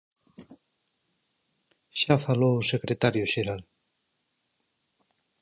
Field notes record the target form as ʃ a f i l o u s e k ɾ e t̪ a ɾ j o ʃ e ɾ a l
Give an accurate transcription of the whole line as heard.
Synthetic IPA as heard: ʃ a f a l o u s e k ɾ e t̪ a ɾ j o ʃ e ɾ a l

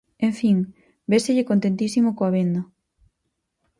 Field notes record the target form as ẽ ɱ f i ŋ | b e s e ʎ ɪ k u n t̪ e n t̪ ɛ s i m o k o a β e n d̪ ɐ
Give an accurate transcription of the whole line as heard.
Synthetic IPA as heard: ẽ ɱ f i ŋ | b e s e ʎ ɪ k o n t̪ e n t̪ i s i m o k o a β e n d̪ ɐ

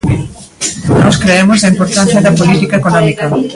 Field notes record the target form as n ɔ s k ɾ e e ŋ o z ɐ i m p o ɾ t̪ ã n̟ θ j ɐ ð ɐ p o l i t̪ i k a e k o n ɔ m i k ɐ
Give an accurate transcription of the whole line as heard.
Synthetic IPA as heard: n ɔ s k ɾ e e m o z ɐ i m p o ɾ t̪ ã n̟ θ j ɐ ð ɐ p o l i t̪ i k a e k o n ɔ m i k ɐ

